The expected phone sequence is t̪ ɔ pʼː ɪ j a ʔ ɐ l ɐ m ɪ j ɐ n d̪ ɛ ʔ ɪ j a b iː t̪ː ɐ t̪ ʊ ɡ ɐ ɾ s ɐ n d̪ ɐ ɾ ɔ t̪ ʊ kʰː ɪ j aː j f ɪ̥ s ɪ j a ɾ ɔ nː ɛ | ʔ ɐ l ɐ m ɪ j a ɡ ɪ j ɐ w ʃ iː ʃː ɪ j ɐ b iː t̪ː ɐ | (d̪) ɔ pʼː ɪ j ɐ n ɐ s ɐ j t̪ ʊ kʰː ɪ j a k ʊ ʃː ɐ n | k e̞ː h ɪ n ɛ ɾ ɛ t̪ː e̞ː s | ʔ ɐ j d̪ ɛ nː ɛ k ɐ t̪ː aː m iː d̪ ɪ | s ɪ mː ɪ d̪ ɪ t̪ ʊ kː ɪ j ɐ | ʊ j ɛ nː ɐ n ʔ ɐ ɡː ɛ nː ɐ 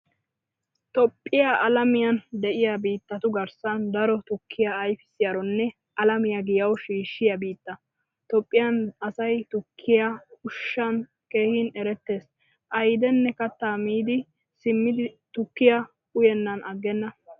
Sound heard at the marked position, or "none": t̪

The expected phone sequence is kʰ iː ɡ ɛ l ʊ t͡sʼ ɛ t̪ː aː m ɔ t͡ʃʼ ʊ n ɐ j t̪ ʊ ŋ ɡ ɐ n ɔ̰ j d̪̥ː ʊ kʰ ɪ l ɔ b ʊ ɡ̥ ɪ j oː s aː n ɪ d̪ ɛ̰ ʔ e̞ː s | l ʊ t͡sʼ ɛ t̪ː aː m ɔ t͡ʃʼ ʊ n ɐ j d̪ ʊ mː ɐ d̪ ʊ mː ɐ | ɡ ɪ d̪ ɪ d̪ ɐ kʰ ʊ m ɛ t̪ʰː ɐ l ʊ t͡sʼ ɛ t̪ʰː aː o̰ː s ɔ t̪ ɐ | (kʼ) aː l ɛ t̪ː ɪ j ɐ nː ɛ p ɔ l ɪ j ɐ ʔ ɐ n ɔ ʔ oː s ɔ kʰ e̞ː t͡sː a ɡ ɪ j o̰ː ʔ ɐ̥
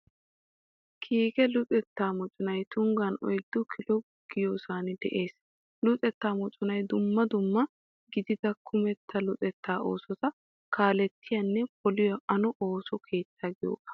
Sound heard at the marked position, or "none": k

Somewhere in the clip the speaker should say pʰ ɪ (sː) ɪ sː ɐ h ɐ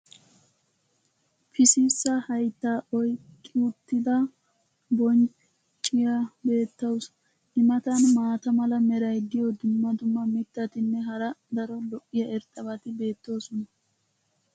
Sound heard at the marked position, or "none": s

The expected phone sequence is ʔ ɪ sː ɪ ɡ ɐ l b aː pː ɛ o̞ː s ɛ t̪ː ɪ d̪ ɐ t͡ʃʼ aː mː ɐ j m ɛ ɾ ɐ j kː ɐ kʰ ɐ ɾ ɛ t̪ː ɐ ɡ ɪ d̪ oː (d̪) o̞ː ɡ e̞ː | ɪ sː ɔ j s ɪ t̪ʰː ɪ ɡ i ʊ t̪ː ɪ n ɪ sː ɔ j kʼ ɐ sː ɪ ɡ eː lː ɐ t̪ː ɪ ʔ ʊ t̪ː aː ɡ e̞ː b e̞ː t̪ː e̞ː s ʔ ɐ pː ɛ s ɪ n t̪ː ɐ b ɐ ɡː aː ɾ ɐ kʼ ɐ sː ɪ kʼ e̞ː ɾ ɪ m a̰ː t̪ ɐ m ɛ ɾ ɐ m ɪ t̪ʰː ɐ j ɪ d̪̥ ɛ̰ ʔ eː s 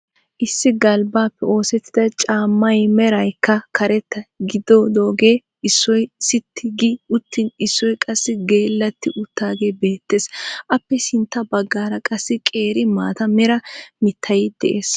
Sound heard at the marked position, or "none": d̪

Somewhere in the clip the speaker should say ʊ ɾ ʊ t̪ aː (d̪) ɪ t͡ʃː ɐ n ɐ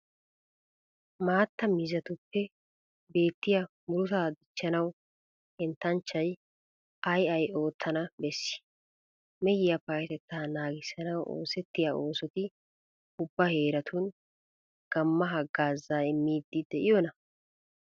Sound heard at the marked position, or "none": d̪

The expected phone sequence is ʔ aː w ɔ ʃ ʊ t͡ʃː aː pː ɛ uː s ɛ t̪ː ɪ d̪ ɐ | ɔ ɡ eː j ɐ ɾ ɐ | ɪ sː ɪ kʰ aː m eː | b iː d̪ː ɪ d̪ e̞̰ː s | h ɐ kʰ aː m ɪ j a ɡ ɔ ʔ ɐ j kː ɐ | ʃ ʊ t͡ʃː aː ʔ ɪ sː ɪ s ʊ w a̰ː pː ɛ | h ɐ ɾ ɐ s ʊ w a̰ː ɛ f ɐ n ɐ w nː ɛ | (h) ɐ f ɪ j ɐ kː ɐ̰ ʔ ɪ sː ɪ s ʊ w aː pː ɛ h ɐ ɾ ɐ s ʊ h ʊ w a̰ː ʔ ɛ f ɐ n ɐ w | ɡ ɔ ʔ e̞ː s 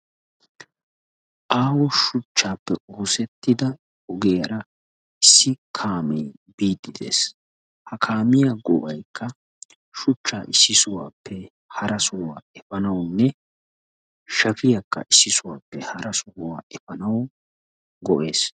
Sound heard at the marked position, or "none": ʃ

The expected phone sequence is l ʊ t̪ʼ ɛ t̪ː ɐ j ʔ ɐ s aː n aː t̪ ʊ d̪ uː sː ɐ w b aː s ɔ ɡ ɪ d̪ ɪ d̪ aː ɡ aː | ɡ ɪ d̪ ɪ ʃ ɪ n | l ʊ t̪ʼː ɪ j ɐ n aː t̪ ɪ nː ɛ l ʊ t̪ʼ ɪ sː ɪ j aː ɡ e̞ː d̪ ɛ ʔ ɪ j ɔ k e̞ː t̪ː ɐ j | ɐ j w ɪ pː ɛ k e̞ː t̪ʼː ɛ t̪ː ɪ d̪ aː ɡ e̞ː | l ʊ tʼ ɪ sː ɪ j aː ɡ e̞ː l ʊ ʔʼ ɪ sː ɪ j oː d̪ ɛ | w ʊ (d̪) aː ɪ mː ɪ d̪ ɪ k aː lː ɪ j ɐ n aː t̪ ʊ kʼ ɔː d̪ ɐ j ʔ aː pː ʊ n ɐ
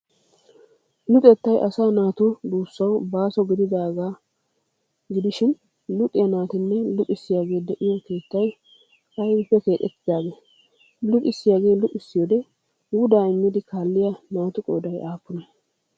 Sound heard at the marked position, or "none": d̪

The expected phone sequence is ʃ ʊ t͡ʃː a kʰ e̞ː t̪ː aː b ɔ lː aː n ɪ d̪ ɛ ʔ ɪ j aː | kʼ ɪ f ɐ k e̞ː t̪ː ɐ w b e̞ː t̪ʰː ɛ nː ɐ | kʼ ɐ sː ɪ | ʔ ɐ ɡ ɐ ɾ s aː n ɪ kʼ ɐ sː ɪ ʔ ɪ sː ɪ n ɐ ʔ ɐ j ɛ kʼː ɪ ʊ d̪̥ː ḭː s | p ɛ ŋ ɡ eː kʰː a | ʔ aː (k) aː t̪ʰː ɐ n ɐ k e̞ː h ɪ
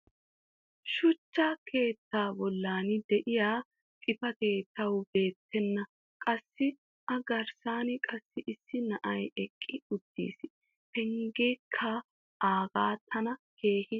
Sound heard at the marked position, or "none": ɡ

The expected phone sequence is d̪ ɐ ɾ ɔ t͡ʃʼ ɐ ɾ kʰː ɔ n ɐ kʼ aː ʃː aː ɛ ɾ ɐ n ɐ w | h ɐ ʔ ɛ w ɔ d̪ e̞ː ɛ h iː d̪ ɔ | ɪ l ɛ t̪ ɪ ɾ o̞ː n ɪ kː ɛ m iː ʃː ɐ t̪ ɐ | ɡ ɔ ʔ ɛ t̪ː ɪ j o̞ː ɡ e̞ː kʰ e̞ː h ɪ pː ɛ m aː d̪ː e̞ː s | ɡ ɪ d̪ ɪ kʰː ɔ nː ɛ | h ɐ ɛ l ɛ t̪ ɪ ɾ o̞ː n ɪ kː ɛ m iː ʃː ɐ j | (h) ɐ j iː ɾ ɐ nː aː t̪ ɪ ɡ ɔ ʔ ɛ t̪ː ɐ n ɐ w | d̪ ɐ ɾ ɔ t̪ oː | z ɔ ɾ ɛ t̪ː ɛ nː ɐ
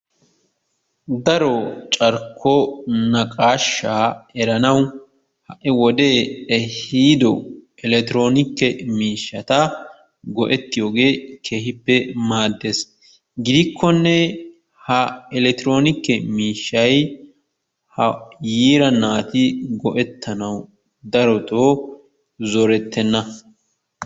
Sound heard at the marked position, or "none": h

